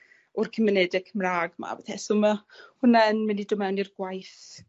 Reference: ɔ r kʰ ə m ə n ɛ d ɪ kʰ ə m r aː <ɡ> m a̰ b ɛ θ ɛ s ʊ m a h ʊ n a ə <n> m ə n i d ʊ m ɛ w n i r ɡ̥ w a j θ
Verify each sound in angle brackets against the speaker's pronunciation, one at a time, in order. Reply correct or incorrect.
correct, correct

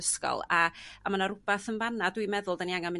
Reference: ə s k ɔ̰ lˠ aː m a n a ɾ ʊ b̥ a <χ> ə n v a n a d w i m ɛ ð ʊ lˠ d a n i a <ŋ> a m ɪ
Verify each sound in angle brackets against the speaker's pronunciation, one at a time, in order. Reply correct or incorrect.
incorrect: θ, correct

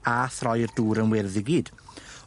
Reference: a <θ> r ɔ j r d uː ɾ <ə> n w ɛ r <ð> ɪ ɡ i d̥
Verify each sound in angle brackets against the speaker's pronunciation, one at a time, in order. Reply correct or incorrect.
correct, correct, correct

